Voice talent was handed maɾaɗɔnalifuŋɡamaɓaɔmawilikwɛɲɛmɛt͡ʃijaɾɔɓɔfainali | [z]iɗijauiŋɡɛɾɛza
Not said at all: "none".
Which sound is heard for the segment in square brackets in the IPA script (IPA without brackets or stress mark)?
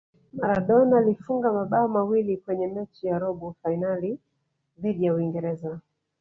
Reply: ð